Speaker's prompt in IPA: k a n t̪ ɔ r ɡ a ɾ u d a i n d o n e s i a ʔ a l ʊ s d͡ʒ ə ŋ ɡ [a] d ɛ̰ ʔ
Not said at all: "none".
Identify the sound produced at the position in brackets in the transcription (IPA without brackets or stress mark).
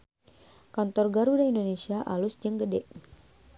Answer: ə